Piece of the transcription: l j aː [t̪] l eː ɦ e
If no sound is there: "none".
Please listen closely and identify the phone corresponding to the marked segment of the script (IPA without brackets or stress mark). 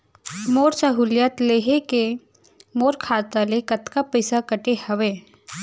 t̪